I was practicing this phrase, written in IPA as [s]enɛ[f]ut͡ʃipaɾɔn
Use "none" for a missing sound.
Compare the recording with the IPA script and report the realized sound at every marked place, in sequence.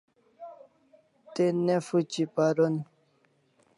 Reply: t, f

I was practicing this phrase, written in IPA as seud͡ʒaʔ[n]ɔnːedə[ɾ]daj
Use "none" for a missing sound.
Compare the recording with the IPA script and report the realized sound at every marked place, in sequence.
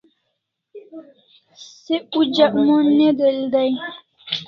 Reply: m, l

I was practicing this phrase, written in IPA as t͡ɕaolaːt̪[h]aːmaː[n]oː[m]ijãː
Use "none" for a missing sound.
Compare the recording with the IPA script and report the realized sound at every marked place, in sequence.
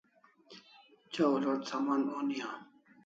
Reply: s, n, n

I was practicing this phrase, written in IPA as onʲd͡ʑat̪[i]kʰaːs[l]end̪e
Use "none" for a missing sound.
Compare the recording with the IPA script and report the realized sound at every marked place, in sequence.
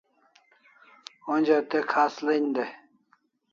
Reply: e, l

